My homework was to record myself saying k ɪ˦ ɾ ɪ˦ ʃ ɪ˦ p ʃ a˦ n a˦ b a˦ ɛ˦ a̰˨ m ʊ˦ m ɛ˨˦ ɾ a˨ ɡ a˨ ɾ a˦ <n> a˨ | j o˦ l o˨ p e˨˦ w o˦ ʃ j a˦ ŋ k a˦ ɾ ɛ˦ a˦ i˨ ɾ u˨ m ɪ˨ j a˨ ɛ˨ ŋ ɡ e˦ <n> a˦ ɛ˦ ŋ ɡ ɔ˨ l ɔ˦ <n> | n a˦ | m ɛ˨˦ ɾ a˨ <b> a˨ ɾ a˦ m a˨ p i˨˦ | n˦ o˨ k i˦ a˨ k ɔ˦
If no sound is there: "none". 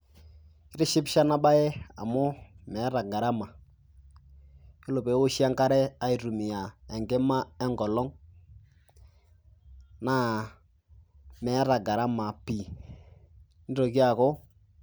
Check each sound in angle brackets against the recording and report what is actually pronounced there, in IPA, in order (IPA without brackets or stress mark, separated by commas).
m, m, ŋ, ɡ